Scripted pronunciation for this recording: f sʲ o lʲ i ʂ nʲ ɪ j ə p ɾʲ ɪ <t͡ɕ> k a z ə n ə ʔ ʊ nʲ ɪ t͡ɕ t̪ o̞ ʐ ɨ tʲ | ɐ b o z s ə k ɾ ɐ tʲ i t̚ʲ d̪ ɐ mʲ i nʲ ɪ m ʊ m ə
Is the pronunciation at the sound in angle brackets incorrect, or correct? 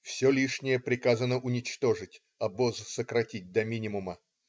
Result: incorrect